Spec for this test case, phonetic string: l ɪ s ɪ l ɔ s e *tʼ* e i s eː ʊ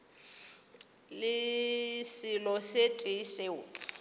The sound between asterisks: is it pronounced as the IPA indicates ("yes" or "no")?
yes